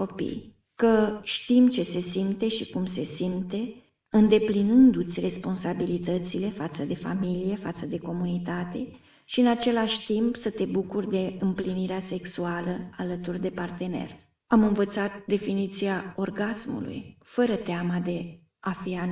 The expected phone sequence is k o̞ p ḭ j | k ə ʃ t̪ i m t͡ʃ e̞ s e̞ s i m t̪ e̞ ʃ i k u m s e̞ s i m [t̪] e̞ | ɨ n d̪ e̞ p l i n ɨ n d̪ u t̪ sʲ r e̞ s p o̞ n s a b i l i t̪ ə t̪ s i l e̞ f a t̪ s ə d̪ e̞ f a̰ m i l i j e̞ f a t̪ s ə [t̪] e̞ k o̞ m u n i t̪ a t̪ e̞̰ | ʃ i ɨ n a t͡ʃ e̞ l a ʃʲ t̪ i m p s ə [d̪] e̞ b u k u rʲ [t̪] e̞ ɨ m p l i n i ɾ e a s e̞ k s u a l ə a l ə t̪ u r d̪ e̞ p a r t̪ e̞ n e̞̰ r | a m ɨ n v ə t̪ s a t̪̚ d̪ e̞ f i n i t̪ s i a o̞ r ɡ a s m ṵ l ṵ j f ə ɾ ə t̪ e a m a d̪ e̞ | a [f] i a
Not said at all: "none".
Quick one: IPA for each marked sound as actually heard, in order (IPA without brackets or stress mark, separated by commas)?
t̪, d̪, t̪, d̪, f